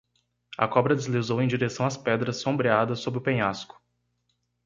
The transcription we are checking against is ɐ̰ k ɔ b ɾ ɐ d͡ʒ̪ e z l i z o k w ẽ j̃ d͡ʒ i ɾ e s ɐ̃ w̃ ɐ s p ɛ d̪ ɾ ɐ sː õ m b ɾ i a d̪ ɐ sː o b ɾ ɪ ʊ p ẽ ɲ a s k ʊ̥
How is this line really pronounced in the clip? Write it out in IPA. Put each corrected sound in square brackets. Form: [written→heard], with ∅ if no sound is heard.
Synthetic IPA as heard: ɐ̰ k ɔ b ɾ ɐ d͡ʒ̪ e z l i z o [k→∅] w ẽ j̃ d͡ʒ i ɾ e s ɐ̃ w̃ ɐ s p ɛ d̪ ɾ ɐ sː õ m b ɾ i a d̪ ɐ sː o b ɾ ɪ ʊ p ẽ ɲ a s k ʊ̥